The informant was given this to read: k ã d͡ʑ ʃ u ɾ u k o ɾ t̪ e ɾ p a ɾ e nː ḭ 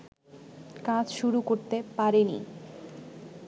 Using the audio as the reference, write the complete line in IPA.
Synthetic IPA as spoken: k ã d͡ʑ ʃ u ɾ u k o ɾ t̪ e p a ɾ e n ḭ